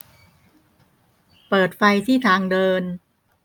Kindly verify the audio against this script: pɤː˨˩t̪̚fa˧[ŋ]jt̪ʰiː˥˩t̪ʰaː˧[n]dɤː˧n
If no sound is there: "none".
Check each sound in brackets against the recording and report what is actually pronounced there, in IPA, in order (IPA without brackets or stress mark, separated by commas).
none, ŋ